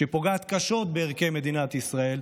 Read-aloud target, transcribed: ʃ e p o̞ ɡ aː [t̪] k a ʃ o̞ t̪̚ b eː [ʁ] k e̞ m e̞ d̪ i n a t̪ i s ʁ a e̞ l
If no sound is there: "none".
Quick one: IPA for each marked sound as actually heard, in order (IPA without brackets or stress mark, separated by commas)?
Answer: t̪, ʁ